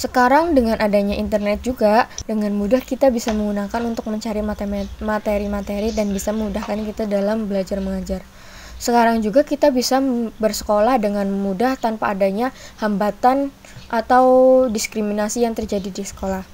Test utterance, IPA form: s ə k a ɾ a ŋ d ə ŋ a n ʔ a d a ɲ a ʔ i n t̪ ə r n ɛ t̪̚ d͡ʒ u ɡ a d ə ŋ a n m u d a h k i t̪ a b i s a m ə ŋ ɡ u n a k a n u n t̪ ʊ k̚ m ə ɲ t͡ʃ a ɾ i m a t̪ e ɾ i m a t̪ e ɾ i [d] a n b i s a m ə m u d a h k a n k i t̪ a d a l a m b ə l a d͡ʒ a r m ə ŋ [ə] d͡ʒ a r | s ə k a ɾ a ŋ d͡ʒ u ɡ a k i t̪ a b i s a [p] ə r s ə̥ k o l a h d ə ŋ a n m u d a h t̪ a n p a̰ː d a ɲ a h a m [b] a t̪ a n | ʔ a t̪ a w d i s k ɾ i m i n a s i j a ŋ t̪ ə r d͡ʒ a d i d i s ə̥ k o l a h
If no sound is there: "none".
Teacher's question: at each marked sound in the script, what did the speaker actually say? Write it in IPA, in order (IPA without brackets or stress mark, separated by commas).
d, a, b, b